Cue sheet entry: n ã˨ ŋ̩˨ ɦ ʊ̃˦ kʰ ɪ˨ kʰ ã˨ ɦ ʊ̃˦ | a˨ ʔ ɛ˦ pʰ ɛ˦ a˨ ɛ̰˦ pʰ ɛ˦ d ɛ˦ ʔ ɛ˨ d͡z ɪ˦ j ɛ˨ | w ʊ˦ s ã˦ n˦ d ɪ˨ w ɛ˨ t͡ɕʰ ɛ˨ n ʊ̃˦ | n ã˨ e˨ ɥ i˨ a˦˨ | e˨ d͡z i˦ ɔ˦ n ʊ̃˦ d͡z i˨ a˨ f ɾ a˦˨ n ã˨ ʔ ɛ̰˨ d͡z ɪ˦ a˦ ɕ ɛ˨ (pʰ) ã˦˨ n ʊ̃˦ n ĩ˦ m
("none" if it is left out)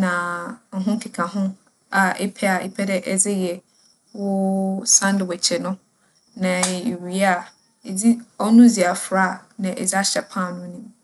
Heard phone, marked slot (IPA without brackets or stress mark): pʰ